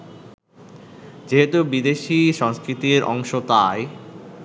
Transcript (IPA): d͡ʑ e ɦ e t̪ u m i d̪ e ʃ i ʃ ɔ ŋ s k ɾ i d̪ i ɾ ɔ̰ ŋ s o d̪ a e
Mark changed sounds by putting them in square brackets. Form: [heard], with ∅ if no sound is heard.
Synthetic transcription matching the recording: d͡ʑ e ɦ e t̪ u [b] i d̪ e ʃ i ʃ ɔ ŋ s k ɾ i [t̪] i ɾ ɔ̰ ŋ [ʃ] o [t̪] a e